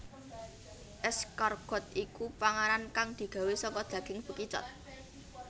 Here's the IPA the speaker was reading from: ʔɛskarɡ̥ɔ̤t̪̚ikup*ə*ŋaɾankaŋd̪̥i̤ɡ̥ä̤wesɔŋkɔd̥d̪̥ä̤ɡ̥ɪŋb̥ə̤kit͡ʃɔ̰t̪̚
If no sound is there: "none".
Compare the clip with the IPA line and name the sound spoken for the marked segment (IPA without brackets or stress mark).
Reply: a